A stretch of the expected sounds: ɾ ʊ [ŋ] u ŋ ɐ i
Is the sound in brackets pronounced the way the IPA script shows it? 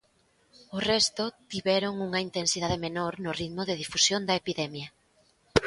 yes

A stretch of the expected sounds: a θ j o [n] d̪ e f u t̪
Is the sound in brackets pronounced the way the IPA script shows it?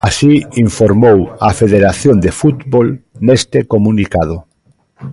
yes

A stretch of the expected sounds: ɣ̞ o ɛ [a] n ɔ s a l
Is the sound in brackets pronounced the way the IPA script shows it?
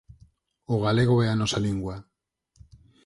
yes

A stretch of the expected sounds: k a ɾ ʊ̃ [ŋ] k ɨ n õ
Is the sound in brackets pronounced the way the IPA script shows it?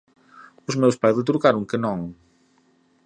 yes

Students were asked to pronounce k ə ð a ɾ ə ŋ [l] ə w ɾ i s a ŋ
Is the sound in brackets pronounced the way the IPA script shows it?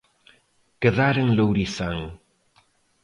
yes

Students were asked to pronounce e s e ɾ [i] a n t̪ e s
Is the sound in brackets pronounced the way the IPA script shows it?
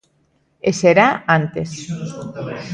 no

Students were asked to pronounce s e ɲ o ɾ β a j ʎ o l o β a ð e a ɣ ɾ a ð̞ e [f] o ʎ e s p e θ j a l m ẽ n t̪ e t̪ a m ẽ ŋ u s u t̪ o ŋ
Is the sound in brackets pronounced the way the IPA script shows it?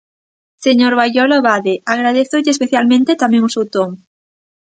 no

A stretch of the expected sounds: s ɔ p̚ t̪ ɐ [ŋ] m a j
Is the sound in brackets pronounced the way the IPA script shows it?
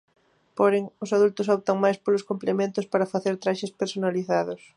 yes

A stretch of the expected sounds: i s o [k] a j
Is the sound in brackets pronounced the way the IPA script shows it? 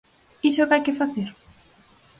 yes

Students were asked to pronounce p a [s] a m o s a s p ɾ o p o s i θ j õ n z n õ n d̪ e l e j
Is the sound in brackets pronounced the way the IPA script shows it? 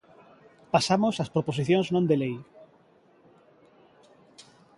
yes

